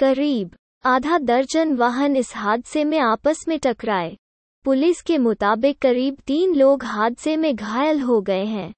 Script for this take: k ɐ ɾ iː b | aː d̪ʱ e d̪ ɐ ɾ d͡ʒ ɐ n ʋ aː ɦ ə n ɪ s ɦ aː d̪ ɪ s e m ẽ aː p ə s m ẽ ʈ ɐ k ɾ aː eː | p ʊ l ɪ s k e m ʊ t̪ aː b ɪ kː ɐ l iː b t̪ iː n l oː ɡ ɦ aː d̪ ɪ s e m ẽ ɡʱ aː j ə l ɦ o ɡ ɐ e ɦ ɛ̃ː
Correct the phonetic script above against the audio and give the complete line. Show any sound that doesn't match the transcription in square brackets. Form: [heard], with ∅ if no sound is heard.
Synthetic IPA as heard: k ɐ ɾ iː b | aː d̪ʱ [a] d̪ ɐ ɾ d͡ʒ [ə] n ʋ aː ɦ ə n ɪ s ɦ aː d̪ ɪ s e m ẽ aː p ə s m ẽ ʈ ɐ k ɾ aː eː | p ʊ l ɪ s k e m ʊ t̪ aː b ɪ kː ɐ [ɾ] iː b t̪ iː n l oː ɡ ɦ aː d̪ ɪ s e m ẽ ɡʱ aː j ə l ɦ o ɡ ɐ e ɦ ɛ̃ː